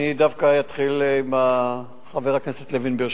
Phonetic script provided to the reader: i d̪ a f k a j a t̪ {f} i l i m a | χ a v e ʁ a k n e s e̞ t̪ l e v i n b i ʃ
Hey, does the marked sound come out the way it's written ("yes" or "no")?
no